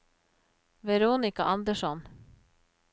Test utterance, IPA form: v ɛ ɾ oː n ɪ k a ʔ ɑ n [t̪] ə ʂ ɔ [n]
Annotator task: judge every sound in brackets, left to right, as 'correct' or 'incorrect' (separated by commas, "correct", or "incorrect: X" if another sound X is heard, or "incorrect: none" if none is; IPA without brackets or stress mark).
incorrect: d̪, correct